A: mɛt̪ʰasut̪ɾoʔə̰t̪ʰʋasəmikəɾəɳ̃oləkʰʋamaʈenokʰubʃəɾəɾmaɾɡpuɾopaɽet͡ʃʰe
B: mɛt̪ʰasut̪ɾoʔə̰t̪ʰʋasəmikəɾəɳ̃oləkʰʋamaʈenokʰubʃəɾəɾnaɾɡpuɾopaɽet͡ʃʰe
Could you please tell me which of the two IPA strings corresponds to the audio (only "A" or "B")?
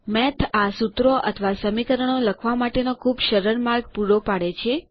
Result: A